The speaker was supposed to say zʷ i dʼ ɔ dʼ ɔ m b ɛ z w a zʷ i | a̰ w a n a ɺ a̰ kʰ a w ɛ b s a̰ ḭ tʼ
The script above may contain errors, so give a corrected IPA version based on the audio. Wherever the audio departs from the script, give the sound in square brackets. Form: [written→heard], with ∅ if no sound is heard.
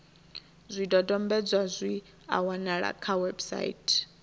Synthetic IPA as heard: zʷ i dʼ ɔ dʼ ɔ m b ɛ [z→d͡z] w a zʷ i | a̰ w a n a ɺ a̰ kʰ a w ɛ b s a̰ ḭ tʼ